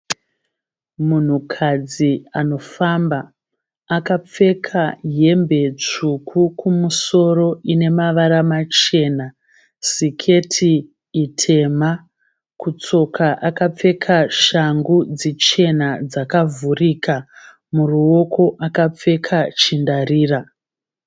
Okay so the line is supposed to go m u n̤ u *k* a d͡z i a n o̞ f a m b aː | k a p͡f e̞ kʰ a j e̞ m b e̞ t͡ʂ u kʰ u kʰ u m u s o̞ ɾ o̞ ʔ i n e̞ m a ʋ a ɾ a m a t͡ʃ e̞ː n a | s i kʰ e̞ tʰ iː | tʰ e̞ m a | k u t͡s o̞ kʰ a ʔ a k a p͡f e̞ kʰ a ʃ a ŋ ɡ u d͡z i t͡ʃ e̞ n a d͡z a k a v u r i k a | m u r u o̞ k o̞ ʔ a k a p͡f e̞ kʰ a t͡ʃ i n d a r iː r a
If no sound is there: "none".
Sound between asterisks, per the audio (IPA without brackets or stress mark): kʰ